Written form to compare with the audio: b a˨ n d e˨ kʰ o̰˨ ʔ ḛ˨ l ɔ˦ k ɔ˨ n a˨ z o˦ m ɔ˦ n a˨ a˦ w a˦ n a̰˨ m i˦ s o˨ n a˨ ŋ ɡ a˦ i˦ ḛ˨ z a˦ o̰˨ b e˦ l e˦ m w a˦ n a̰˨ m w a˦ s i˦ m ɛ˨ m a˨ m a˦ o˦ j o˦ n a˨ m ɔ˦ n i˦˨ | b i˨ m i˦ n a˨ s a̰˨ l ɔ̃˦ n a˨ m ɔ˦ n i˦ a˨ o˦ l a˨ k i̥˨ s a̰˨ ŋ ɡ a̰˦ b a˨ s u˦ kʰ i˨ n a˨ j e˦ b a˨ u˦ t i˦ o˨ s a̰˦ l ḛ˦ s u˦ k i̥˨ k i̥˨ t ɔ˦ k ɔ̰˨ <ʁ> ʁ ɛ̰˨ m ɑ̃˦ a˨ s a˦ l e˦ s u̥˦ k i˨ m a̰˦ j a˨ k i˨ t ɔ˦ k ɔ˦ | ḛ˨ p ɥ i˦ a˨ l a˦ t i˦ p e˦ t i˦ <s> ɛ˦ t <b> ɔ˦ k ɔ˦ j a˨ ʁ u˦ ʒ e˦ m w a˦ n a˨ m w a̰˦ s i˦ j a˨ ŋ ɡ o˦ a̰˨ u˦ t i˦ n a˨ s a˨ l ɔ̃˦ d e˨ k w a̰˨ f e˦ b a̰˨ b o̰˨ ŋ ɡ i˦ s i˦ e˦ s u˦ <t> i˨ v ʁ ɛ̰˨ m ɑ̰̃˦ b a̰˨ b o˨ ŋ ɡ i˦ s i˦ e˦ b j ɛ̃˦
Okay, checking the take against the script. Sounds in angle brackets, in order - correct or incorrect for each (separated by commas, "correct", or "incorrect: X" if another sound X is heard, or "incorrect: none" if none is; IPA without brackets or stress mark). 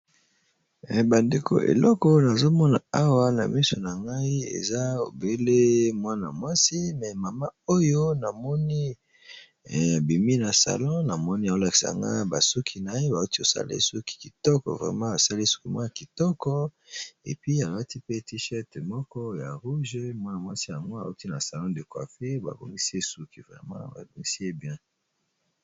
incorrect: v, incorrect: ʃ, incorrect: m, incorrect: k